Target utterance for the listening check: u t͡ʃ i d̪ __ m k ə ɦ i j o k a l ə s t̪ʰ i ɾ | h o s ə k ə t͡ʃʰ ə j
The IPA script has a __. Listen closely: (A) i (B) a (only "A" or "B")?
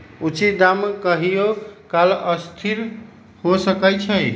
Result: B